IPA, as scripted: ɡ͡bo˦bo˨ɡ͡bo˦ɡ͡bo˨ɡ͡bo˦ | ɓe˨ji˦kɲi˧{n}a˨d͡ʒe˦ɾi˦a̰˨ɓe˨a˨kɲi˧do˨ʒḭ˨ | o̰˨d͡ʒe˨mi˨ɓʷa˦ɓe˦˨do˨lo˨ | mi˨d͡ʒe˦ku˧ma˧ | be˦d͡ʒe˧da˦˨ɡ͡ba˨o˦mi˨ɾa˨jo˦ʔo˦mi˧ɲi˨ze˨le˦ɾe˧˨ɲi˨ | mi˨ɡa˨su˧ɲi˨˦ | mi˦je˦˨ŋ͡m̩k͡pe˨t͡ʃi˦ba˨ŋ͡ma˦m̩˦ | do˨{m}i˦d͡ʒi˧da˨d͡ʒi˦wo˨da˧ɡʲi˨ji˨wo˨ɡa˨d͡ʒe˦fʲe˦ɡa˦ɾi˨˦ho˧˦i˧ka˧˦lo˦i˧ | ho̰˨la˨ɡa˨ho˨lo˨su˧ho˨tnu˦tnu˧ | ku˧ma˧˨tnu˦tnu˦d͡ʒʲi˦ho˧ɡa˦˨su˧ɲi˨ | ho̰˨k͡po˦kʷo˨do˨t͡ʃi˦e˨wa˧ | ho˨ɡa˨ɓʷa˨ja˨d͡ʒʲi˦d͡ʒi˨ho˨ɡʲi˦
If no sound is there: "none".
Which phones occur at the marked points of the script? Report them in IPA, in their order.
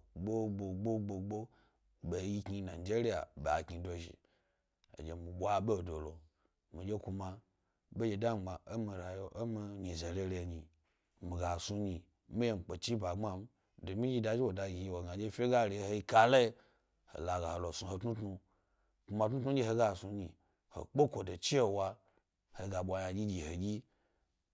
n, m

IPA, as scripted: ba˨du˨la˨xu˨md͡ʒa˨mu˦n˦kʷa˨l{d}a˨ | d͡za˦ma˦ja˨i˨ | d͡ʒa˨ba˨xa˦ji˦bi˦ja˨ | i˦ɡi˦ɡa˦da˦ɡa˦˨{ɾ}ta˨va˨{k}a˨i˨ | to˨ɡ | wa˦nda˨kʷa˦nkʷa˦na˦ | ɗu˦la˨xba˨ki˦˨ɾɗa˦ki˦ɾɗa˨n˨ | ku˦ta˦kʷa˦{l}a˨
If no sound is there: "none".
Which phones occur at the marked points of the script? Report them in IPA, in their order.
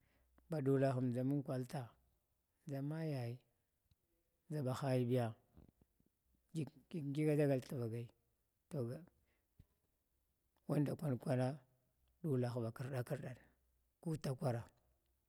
t, l, ɡ, ɾ

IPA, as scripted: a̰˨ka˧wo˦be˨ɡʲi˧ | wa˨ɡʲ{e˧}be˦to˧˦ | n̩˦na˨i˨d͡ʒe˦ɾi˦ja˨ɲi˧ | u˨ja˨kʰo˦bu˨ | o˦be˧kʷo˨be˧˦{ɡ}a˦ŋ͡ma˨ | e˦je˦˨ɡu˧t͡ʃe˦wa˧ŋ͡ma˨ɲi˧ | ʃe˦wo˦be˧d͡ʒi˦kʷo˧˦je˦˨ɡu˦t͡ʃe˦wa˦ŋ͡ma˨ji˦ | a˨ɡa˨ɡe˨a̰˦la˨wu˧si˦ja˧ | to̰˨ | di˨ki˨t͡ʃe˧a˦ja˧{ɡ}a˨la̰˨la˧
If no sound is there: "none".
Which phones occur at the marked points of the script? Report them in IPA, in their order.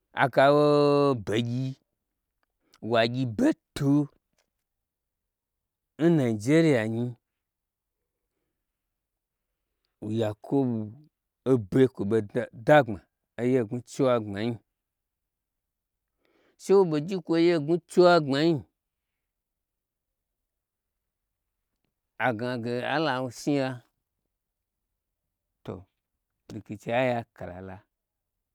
i˧, d, k

